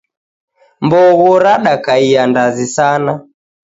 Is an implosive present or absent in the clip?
present